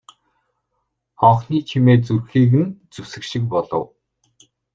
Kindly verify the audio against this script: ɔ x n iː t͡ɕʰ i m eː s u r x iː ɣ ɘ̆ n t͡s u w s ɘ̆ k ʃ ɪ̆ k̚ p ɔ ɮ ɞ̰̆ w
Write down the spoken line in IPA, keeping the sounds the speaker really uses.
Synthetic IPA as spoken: ɔ χ n iː t͡ɕʰ i m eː t͡s u r x iː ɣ ɘ̆ n t͡s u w s ɘ̆ k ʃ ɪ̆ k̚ p ɔ ɮ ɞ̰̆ w